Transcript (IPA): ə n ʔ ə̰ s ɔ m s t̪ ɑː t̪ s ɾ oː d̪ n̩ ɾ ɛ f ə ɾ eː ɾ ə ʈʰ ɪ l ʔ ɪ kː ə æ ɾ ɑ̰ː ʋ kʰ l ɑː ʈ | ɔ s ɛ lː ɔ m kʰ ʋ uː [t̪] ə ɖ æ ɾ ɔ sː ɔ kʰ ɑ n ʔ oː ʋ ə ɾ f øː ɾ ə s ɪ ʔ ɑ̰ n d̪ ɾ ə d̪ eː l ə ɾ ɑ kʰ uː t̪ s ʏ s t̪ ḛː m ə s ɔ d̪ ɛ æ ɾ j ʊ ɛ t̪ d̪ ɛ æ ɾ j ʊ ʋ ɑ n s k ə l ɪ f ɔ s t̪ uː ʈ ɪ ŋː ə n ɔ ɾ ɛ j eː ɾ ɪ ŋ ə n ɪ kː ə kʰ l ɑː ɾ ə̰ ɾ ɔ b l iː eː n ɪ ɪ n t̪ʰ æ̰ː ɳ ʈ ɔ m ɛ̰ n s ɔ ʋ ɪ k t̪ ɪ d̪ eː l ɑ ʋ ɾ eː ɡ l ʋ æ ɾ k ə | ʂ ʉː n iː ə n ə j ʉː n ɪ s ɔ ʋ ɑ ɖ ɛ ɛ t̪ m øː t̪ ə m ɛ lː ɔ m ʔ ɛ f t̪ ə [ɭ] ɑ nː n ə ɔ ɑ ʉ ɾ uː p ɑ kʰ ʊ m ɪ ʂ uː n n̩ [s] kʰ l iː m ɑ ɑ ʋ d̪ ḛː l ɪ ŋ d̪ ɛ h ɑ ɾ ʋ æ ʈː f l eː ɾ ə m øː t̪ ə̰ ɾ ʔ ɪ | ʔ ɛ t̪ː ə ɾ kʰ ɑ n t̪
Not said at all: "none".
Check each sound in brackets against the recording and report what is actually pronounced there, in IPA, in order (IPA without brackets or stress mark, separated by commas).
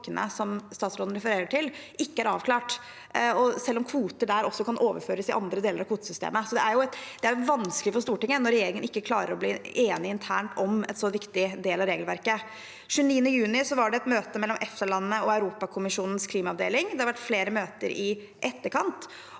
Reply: t̪, ɭ, s